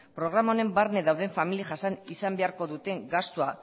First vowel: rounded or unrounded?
rounded